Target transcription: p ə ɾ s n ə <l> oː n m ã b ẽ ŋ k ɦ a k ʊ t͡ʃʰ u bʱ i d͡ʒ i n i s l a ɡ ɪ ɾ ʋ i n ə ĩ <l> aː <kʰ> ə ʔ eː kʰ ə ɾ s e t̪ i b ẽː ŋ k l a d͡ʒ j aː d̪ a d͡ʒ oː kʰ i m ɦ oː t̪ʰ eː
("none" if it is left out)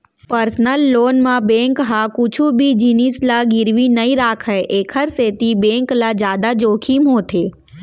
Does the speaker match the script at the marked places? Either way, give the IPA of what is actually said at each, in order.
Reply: lː, ɾ, kʰ

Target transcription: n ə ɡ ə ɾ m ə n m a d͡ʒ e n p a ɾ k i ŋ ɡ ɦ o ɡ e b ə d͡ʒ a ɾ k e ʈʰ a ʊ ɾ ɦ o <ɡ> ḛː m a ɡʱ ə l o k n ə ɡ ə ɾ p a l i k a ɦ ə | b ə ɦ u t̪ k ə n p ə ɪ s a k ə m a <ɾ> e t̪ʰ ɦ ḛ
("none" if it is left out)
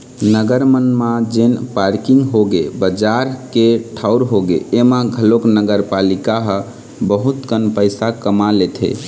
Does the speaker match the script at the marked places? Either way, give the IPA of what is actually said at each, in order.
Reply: ɡ, l

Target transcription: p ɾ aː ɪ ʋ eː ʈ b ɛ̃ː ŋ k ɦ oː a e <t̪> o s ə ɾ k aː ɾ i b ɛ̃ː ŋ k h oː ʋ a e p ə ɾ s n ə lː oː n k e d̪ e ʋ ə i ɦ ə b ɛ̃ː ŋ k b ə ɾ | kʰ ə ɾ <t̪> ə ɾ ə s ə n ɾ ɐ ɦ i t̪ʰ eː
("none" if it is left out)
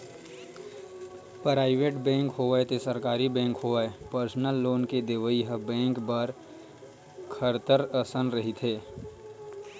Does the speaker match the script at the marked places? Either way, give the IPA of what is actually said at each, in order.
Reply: t̪, t̪

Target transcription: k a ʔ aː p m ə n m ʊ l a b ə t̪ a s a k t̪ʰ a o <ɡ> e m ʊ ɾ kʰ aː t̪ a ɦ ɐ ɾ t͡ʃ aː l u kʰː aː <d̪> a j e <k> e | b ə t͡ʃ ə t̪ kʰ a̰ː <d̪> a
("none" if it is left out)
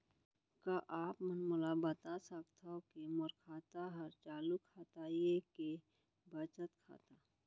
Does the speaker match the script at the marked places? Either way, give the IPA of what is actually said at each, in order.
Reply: k, t̪, k, t̪

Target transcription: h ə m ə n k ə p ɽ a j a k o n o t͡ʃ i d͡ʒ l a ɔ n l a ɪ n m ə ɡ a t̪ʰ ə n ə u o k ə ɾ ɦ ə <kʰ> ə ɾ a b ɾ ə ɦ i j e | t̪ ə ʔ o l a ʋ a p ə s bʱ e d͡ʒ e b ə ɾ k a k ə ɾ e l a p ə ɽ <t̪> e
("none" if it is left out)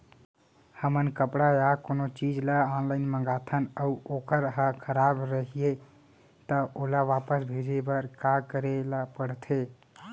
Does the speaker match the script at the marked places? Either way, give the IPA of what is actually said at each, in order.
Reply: kʰ, t̪ʰ

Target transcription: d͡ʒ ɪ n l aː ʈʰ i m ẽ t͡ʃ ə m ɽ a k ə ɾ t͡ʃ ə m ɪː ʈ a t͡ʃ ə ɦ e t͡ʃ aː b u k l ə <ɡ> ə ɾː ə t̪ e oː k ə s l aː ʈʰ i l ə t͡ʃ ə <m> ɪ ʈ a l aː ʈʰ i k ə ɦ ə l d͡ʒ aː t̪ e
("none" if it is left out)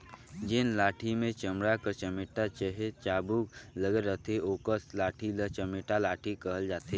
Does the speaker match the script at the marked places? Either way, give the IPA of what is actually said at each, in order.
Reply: ɡ, m

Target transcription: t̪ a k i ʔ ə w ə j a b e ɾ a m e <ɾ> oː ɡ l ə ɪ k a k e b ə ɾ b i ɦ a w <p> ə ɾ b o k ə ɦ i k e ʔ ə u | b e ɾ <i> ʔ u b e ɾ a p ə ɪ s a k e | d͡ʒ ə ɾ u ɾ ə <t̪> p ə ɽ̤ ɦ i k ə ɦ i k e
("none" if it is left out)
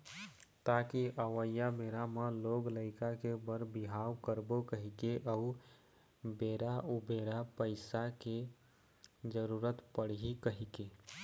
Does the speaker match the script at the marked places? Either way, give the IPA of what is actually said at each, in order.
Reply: l, k, a, t̪

